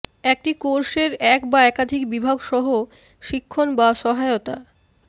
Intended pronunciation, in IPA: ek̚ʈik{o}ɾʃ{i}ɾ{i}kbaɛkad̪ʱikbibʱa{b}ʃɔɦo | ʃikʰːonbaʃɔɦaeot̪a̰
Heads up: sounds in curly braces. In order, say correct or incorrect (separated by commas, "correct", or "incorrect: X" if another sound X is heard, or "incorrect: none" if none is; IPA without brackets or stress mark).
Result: correct, incorrect: e, incorrect: ɛ, incorrect: ɡ